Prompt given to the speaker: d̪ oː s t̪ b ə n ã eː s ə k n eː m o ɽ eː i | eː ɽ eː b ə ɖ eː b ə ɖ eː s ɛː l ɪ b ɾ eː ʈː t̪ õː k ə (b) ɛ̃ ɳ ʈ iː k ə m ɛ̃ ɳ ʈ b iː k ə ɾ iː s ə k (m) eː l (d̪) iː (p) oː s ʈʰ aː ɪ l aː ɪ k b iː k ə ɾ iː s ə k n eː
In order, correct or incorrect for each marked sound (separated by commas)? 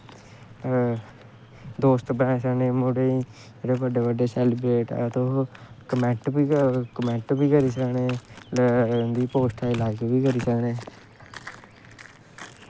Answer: incorrect, incorrect, correct, correct